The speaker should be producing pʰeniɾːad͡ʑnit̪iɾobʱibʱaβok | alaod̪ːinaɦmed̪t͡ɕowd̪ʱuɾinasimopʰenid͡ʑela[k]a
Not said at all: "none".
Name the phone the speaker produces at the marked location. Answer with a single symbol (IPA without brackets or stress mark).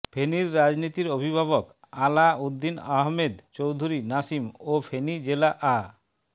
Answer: ʔ